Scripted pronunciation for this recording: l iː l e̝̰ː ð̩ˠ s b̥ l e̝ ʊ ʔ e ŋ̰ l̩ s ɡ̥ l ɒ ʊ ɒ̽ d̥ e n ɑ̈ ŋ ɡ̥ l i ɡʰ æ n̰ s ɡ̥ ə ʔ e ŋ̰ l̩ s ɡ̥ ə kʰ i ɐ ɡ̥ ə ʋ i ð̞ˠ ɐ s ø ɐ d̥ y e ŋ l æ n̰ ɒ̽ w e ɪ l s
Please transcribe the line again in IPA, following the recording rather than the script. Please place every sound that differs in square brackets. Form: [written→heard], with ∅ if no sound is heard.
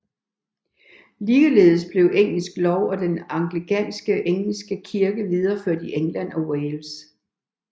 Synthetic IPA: l iː l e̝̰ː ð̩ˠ s b̥ l e̝ ʊ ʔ e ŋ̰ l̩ s ɡ̥ l ɒ ʊ ɒ̽ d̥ e n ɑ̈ ŋ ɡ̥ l i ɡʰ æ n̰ s ɡ̥ ə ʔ e ŋ̰ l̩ s ɡ̥ ə kʰ i ɐ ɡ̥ ə ʋ i ð̞ˠ ɐ [s→f] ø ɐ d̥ [y→i] e ŋ l æ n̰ ɒ̽ w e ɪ l s